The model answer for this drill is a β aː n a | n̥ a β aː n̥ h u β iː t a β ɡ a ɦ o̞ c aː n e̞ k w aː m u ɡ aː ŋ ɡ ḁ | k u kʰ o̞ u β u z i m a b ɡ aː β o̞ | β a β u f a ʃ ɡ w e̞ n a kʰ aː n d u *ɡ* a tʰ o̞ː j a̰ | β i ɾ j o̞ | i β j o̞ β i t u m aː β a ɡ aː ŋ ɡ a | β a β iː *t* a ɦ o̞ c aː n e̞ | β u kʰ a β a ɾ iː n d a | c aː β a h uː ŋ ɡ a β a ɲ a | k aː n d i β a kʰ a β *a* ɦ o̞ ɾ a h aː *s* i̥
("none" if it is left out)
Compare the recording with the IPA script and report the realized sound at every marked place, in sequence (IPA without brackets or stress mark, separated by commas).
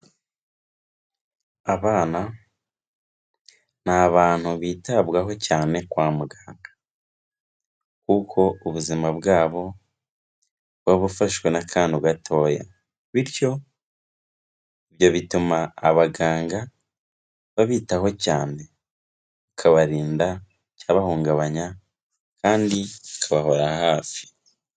ɡ, t, a, f